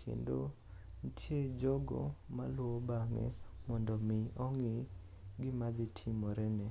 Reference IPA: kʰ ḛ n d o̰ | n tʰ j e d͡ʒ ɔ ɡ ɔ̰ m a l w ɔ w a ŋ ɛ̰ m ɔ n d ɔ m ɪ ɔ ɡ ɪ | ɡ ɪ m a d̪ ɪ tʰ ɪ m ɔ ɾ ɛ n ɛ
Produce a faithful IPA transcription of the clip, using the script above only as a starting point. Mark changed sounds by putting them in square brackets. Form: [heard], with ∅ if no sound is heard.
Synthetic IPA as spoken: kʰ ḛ n d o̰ | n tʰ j e d͡ʒ ɔ ɡ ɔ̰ m a l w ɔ [b] a ŋ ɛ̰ m ɔ n d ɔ m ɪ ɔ [ŋ] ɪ | ɡ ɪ m a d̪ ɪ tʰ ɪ m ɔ ɾ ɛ n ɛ